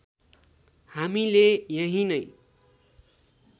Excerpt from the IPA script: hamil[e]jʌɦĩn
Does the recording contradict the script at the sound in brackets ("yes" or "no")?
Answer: no